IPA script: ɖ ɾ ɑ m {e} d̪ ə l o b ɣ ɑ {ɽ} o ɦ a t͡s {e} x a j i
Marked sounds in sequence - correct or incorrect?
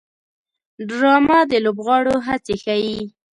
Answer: incorrect: a, correct, correct

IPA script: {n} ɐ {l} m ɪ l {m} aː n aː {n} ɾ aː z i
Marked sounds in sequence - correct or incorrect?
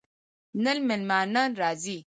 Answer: correct, correct, correct, correct

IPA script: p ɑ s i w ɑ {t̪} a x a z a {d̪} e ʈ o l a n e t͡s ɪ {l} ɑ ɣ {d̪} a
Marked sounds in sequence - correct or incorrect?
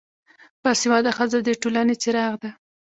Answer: incorrect: d̪, correct, incorrect: ɾ, correct

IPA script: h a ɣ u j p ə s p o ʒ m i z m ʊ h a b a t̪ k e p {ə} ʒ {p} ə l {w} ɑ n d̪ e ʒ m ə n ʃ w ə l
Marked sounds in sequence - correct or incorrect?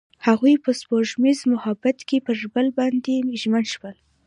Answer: correct, incorrect: b, incorrect: b

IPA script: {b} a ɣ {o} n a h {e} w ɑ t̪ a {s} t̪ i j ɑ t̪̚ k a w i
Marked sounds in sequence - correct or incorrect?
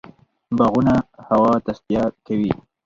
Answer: correct, incorrect: u, incorrect: a, correct

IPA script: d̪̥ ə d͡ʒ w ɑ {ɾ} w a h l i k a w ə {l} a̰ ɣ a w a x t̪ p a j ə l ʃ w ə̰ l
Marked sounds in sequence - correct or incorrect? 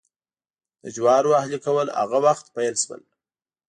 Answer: correct, correct

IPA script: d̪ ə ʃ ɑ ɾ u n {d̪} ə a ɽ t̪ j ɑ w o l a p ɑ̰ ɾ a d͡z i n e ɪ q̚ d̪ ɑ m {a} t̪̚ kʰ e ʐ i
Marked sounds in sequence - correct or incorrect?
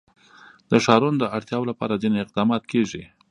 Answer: correct, incorrect: ɑ

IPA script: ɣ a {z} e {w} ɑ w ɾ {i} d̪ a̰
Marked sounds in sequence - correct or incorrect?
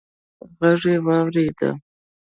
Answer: incorrect: ʐ, correct, incorrect: e

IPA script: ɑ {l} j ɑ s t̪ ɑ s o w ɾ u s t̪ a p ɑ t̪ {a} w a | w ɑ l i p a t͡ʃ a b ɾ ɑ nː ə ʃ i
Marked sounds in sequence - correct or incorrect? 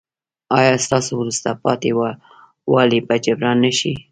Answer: incorrect: none, incorrect: e

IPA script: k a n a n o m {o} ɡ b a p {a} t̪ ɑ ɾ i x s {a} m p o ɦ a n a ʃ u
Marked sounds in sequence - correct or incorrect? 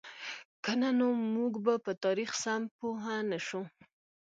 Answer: incorrect: u, incorrect: ə, correct

